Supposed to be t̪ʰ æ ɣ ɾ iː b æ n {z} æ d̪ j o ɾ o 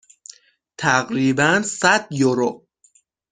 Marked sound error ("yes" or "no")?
yes